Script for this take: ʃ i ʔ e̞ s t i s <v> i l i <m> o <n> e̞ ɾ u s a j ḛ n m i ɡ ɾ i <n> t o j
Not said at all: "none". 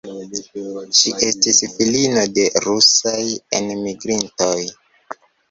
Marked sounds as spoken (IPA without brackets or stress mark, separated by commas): f, n, d, n